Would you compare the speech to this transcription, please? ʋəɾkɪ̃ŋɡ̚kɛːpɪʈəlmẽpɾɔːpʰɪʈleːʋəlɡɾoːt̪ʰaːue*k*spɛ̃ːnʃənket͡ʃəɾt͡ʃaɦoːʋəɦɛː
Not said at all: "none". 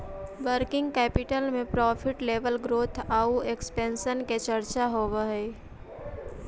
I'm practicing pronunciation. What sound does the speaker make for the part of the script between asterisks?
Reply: k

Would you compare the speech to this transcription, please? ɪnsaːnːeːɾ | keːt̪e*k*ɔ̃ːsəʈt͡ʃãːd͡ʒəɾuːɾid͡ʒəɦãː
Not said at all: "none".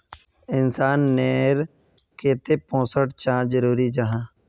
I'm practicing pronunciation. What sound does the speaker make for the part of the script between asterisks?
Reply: p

